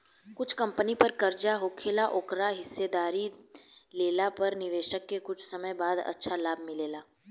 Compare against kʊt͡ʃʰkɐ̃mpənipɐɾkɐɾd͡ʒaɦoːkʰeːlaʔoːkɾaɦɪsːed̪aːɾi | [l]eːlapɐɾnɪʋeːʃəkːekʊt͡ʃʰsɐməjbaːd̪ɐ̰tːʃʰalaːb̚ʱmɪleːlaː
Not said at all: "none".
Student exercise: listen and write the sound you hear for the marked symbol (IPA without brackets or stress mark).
l